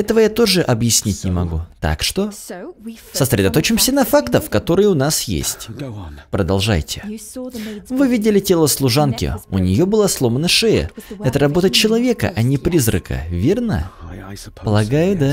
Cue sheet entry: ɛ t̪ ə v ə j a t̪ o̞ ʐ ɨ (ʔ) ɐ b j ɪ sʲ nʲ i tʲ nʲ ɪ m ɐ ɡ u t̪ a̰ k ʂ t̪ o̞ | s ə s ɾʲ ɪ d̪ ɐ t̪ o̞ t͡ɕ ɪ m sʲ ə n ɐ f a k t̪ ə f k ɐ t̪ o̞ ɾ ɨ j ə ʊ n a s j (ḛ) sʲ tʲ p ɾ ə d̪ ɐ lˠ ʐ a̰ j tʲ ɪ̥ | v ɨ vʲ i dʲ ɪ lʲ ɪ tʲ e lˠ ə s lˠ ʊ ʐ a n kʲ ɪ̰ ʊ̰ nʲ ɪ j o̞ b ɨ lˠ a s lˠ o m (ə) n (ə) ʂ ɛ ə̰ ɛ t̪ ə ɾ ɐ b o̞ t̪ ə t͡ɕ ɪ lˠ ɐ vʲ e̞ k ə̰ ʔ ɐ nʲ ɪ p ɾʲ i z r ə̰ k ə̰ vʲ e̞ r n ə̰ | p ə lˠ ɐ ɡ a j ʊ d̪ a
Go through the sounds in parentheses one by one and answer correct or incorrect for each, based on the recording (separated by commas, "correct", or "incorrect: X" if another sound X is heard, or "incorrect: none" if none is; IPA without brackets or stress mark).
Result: correct, correct, correct, correct